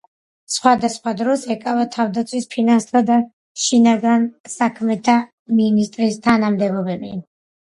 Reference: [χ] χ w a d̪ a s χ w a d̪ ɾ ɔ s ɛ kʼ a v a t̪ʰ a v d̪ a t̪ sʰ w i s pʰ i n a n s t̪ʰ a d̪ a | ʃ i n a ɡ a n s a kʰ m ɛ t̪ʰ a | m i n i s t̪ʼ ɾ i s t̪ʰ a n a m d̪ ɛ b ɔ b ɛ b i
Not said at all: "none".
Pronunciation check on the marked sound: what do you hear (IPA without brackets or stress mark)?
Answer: s